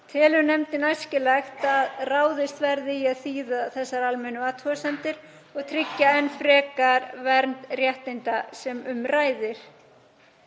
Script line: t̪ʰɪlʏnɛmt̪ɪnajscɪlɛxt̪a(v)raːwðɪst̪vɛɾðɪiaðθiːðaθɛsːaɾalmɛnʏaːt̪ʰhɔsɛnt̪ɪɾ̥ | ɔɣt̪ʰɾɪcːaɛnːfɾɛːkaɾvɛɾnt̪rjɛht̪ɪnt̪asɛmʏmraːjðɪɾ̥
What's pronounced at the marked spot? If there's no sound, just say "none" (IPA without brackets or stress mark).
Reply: ð